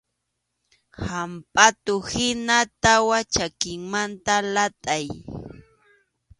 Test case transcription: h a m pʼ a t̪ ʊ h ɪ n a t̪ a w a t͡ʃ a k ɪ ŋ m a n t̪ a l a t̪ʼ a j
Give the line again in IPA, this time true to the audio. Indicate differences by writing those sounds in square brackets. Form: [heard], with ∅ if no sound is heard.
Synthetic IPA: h a m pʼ a t̪ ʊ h ɪ n a t̪ a w a t͡ʃ a k ɪ ŋ m a n t̪ a l a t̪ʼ a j